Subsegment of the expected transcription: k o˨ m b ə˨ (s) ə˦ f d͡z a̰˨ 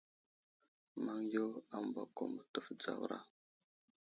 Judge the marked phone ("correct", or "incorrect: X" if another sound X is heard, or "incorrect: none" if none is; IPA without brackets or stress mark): incorrect: t